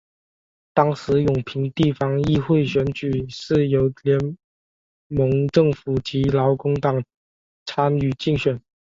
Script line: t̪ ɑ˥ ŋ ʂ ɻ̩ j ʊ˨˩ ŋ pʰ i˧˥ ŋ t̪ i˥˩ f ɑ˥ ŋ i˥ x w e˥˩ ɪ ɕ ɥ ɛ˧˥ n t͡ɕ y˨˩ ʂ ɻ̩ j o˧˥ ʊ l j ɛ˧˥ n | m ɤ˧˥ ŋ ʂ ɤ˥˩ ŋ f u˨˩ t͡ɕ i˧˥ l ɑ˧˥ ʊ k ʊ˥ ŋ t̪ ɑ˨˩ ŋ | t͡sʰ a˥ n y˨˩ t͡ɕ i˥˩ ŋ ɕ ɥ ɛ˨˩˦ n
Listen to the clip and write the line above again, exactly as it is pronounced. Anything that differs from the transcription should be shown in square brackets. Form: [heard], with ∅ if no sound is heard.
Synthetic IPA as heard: t̪ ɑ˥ ŋ ʂ ɻ̩ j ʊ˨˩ ŋ pʰ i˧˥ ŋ t̪ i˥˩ f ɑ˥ ŋ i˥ x w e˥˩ ɪ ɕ ɥ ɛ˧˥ n t͡ɕ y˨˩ ʂ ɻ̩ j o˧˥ ʊ l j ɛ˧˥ n | m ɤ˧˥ ŋ [ʈ͡ʂ] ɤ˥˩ ŋ f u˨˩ t͡ɕ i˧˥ l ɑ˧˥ ʊ k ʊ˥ ŋ t̪ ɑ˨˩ ŋ | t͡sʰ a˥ n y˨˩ t͡ɕ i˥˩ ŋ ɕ ɥ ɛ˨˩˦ n